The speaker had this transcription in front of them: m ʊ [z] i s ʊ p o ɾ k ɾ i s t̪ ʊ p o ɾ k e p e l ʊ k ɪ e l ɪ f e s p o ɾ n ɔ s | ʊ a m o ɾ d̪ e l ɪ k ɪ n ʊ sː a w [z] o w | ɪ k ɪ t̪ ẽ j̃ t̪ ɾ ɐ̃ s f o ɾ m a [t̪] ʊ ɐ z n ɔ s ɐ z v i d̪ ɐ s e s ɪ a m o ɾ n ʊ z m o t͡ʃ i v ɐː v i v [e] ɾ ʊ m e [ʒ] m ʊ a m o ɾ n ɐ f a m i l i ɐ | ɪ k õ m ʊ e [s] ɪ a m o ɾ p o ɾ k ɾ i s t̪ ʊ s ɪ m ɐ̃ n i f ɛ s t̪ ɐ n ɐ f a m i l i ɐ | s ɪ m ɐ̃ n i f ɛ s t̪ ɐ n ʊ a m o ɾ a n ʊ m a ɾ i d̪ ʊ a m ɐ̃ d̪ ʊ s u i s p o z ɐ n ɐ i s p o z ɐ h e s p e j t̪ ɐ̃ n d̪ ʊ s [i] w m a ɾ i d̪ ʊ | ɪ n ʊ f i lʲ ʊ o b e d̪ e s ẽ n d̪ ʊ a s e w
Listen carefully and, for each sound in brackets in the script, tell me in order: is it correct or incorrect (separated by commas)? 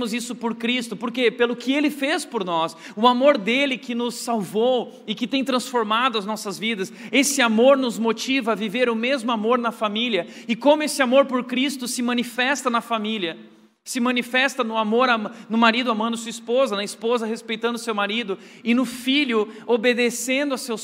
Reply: correct, incorrect, incorrect, correct, incorrect, correct, incorrect